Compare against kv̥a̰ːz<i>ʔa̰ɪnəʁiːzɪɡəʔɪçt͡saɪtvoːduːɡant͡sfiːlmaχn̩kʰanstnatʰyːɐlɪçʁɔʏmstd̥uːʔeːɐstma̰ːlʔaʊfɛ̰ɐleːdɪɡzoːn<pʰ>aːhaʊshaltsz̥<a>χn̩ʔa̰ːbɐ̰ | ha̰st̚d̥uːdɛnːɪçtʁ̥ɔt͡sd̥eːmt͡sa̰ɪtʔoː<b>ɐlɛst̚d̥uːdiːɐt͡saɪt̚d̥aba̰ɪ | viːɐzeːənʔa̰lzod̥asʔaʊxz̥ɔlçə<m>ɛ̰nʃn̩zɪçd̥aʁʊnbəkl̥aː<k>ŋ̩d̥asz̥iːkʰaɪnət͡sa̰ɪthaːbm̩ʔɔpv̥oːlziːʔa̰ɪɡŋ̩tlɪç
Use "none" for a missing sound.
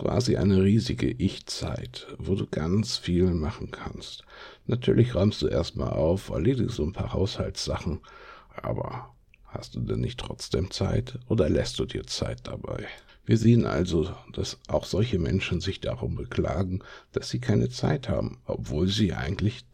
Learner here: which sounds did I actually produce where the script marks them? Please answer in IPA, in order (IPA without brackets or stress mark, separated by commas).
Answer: i, pʰ, a, d, m, ɡ